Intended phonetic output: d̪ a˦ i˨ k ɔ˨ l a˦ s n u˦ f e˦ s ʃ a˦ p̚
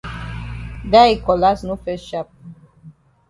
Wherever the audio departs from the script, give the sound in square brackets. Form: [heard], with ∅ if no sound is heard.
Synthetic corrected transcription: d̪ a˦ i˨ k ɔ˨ l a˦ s n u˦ f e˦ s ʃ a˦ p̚